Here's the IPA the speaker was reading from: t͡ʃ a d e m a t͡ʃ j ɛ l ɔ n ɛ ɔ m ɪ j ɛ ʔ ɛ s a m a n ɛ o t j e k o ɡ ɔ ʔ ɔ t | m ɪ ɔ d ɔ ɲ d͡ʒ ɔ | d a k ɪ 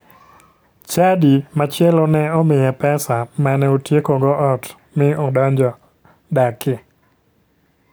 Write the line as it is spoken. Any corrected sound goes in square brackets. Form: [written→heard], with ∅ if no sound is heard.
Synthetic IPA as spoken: t͡ʃ a d [e→i] m a t͡ʃ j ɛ l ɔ n ɛ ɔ m ɪ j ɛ [ʔ→p] ɛ s a m a n ɛ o t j e k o ɡ ɔ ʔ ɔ t | m ɪ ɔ d ɔ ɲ d͡ʒ ɔ | d a k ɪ